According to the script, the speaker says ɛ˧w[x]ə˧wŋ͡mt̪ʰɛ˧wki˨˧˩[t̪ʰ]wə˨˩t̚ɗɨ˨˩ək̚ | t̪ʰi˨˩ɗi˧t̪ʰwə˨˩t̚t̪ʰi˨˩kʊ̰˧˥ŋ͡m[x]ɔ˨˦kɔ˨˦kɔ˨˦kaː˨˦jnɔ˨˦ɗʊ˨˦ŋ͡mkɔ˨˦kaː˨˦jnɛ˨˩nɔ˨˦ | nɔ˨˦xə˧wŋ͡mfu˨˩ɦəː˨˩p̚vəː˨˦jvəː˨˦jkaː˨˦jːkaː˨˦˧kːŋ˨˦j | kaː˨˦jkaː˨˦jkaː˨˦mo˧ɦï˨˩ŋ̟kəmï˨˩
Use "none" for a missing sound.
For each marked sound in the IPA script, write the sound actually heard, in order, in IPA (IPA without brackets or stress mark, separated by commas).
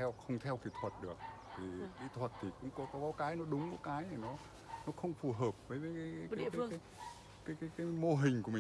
x, t̪ʰ, k